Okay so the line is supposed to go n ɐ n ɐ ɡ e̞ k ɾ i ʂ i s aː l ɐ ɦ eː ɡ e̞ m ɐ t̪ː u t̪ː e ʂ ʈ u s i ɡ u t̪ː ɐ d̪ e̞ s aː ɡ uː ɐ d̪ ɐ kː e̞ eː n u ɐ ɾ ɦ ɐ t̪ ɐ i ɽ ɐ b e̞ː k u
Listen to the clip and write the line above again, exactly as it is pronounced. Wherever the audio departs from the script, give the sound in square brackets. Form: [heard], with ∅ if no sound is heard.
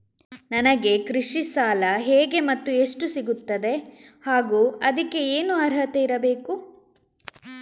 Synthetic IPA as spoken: n ɐ n ɐ ɡ e̞ k ɾ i ʂ i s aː l ɐ ɦ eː ɡ e̞ m ɐ t̪ː u [∅] e ʂ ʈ u s i ɡ u t̪ː ɐ d̪ e̞ [h] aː ɡ uː ɐ d̪ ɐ kː e̞ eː n u ɐ ɾ ɦ ɐ t̪ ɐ i [ɾ] ɐ b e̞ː k u